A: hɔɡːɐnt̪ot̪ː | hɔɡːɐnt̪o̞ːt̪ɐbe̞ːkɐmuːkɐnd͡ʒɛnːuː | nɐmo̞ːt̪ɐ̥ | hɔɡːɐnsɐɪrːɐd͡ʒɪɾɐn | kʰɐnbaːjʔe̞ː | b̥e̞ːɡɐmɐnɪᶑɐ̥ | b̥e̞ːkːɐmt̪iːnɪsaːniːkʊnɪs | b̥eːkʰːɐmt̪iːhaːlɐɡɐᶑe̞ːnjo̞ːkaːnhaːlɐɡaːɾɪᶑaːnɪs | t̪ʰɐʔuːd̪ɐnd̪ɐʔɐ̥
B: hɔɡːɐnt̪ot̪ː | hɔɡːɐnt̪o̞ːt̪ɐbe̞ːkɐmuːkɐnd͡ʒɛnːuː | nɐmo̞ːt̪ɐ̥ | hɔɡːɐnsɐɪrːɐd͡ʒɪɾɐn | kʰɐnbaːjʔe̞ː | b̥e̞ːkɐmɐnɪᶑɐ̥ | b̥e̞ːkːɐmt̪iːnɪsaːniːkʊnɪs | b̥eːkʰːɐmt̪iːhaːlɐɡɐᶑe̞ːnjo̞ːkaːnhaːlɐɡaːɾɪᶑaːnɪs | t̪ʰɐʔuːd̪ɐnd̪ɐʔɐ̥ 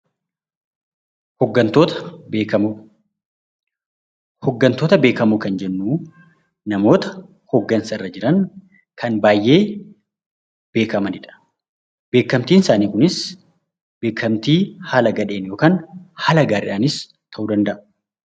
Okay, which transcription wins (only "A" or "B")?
B